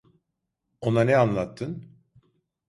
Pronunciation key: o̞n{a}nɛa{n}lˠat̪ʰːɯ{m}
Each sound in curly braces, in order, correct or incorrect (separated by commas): correct, correct, incorrect